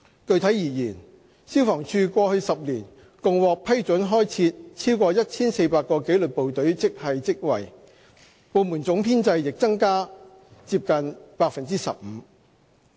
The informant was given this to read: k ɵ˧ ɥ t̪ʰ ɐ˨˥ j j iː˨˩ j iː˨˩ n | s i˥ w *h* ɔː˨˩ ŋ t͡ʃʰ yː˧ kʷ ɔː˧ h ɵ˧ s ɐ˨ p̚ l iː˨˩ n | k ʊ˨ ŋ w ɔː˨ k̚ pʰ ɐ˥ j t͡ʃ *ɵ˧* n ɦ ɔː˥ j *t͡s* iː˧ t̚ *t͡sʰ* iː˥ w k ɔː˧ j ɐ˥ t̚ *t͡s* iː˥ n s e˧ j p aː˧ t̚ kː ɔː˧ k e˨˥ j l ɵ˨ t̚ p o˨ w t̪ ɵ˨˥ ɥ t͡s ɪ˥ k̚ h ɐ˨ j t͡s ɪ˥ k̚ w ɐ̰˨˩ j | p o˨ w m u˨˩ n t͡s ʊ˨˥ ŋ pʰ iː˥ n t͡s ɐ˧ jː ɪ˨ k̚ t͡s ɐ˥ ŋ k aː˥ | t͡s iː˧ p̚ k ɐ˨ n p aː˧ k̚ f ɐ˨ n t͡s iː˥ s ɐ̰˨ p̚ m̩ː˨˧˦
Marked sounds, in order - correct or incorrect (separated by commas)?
incorrect, incorrect, incorrect, correct, incorrect